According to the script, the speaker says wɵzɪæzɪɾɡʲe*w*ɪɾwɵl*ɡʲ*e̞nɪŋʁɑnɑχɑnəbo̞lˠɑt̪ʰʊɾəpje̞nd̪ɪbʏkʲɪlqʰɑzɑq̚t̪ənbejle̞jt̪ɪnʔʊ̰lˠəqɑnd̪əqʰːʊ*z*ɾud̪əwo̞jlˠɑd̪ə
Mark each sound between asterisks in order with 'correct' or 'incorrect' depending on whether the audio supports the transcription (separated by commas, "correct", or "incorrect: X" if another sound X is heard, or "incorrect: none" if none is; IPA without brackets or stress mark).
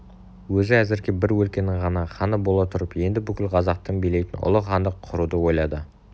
incorrect: b, incorrect: kʲ, incorrect: none